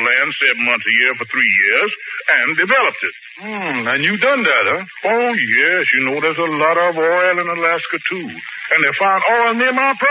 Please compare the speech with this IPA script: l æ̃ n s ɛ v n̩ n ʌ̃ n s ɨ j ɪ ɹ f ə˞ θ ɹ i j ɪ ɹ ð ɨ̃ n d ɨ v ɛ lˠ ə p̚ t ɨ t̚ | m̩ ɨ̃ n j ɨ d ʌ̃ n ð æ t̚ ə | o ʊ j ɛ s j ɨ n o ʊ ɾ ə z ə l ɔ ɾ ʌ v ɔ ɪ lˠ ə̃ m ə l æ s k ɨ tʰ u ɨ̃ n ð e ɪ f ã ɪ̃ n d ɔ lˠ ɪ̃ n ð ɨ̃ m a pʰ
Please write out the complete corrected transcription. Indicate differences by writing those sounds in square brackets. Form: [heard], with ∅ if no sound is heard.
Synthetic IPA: l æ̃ n s ɛ v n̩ [m] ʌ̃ n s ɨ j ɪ ɹ f ə˞ θ ɹ i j ɪ ɹ [z] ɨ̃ n d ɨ v ɛ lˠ ə p̚ t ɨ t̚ | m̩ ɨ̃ n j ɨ d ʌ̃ n ð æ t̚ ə | o ʊ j ɛ s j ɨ n o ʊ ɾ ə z ə l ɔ ɾ ʌ v ɔ ɪ lˠ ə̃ [n] ə l æ s k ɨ tʰ u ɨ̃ n ð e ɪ f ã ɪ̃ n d ɔ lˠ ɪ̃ n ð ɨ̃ m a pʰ